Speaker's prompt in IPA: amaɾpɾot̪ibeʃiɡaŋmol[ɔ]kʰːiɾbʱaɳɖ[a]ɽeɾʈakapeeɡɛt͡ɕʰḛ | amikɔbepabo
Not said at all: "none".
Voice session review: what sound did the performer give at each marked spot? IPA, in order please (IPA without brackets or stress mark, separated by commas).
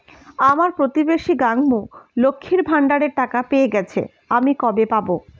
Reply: o, a